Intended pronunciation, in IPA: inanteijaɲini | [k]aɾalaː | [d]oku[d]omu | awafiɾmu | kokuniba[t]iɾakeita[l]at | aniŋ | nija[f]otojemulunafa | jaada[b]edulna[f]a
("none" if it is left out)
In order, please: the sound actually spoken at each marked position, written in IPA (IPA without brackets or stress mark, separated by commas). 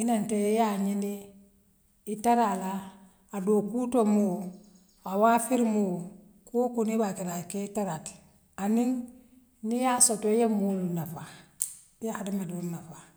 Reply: t, d, t, k, ɾ, s, m, f